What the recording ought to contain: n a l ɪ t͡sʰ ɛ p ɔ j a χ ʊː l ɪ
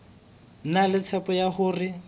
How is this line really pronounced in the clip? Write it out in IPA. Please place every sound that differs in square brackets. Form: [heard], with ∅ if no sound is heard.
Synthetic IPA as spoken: n a l ɪ t͡sʰ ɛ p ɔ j a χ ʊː [r] ɪ